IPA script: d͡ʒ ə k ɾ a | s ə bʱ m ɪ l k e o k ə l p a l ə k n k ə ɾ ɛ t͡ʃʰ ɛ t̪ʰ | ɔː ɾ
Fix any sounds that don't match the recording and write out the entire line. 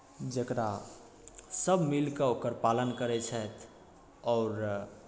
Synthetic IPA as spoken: d͡ʒ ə k ɾ a | s ə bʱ m i l k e o k ə ɾ p a l ə n k ə ɾ ɛ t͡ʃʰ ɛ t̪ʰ | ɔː ɾ